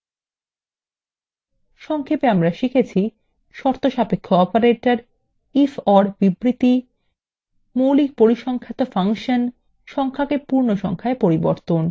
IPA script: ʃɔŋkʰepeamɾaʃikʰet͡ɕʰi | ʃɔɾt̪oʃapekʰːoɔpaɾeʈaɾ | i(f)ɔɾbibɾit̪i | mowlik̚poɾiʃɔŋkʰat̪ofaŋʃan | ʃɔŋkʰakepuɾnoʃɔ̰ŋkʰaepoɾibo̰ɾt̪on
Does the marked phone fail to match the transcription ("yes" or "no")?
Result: no